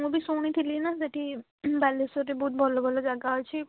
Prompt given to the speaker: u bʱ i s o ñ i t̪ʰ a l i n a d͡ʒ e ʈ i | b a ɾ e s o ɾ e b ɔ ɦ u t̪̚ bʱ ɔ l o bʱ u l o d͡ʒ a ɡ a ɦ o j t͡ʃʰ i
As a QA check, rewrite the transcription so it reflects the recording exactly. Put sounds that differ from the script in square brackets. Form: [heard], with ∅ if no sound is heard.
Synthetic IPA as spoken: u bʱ i s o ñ i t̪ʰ [i] l i n a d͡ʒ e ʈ i | b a [l] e s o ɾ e b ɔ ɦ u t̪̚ bʱ ɔ l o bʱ [ɔ] l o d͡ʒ a ɡ a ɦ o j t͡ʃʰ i